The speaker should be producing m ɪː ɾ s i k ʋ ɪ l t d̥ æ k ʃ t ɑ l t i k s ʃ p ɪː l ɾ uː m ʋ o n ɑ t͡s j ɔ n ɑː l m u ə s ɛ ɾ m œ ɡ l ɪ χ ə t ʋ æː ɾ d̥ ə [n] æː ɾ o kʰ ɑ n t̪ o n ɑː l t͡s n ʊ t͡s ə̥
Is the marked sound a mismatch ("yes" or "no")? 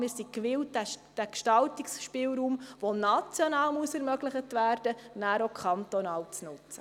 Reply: no